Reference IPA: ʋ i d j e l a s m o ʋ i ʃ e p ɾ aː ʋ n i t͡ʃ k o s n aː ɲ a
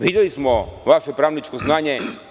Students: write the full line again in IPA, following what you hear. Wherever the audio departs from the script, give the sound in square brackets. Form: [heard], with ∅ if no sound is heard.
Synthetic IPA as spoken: ʋ i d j e l [i] s m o ʋ [a] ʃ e p ɾ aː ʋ n i t͡ʃ k o [z] n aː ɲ [e]